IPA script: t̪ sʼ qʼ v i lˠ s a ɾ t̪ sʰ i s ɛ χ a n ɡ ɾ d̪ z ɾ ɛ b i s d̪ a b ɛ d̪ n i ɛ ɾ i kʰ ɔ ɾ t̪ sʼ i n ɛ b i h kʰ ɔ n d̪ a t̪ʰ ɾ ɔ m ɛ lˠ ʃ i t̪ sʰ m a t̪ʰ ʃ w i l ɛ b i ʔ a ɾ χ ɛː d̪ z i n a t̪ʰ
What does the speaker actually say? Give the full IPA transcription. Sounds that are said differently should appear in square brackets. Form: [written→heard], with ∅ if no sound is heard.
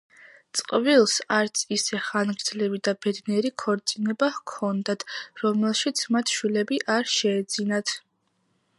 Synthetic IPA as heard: t̪ sʼ qʼ v i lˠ s a ɾ t̪ sʰ i s ɛ χ a n ɡ ɾ d̪ z [ɾ→l] ɛ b i [s→∅] d̪ a b ɛ d̪ n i ɛ ɾ i kʰ ɔ ɾ t̪ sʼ i n ɛ b [i→a] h kʰ ɔ n d̪ a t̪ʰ ɾ ɔ m ɛ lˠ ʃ i t̪ sʰ m a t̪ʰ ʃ w i l ɛ b i ʔ a ɾ [χ→ʃ] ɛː d̪ z i n a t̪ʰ